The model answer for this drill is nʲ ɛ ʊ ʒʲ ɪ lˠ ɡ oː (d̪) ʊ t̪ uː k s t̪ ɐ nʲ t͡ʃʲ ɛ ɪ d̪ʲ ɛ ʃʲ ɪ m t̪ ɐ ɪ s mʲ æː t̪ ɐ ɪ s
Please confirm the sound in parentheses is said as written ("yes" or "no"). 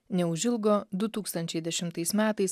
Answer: yes